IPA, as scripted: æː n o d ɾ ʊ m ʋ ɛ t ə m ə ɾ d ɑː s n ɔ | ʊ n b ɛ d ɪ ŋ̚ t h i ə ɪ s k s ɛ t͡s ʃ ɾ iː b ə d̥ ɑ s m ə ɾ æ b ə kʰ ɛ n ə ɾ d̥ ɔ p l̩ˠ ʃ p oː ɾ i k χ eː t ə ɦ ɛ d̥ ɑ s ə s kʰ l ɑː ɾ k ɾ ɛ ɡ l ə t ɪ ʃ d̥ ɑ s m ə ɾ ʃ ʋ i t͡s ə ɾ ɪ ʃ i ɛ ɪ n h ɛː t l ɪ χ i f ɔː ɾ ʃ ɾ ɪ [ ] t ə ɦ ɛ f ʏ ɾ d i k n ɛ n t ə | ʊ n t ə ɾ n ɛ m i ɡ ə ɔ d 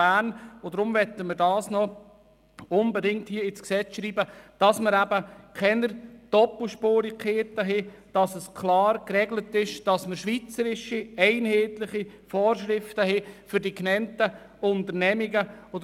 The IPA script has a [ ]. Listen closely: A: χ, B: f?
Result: B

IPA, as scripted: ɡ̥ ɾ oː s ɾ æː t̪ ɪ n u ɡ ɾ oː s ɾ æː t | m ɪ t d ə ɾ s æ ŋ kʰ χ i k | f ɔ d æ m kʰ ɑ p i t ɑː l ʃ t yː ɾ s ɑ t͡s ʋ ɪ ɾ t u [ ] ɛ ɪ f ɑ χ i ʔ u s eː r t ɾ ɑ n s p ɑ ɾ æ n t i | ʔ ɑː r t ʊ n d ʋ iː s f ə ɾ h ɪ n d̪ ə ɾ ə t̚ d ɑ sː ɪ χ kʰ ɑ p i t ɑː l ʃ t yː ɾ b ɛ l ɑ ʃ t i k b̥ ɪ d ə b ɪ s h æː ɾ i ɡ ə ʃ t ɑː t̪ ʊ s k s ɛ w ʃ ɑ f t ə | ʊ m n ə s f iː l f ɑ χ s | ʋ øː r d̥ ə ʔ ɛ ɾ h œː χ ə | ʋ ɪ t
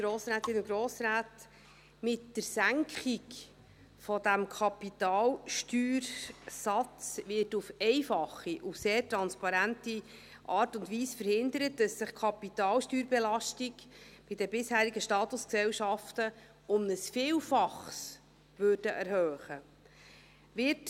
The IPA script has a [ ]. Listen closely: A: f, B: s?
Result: A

